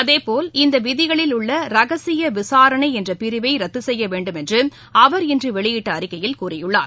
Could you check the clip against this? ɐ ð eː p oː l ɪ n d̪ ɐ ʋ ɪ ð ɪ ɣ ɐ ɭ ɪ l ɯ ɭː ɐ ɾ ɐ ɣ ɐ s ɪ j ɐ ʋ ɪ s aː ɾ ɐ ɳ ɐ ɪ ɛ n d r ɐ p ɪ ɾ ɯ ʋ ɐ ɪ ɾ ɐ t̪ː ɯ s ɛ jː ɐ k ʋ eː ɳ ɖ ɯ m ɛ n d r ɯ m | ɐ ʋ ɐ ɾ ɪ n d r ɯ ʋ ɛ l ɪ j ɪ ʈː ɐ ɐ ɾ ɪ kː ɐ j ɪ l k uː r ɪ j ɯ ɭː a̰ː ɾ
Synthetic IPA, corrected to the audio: ɐ ð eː p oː l ɪ n d̪ ɐ ʋ ɪ ð ɪ ɣ ɐ ɭ ɪ l ʊ ɭː ɐ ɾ ɐ ɣ ɐ s ɪ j ɐ ʋ ɪ s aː ɾ ɐ ɳ ɐ ɪ ɛ n d r ɐ p ɪ ɾ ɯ ʋ ɐ ɪ ɾ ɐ t̪ː ɯ s ɛ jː ɐ ʋ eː ɳ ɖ ɯ m ɛ n d r ɯ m | ɐ ʋ ɐ ɾ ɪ n d r ɯ ʋ ɛ ɭ ɪ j ɪ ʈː ɐ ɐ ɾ ɪ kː ɐ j ɪ l k uː r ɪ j ɯ ɭː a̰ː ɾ